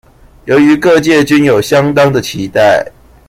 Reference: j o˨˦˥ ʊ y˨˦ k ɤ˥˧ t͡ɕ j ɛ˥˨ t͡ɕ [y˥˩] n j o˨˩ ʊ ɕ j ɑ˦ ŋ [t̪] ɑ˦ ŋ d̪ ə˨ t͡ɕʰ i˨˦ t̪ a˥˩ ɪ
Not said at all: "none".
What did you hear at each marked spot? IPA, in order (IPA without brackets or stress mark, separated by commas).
y˦˥, t̪